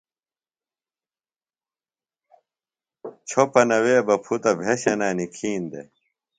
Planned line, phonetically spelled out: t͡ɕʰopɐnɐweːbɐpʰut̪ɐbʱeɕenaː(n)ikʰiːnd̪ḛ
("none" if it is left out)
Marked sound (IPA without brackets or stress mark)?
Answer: n